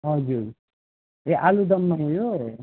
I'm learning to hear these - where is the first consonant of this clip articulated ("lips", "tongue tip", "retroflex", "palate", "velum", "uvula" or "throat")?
throat